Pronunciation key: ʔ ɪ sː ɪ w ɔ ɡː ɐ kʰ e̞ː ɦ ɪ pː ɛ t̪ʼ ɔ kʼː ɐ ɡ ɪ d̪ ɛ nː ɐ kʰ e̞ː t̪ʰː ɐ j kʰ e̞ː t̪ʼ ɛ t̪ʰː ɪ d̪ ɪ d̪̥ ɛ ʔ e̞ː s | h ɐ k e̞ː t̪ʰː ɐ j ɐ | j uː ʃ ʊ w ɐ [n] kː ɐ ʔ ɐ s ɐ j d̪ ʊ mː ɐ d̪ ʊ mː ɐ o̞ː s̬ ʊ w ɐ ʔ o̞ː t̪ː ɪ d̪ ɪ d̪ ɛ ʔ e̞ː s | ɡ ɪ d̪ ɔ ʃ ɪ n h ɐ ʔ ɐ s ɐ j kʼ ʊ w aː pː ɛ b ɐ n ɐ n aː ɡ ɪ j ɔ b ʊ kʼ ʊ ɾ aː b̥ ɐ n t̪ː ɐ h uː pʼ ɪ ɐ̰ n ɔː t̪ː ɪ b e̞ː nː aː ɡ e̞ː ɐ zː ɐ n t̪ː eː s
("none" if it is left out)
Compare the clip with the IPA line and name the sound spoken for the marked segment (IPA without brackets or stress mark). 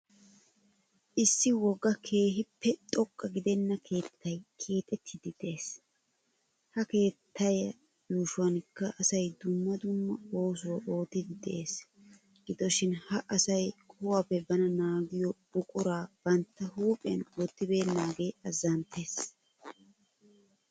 n